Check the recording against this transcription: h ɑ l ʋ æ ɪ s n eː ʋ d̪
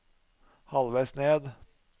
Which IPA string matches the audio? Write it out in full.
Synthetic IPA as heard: h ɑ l ʋ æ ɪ s n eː d̪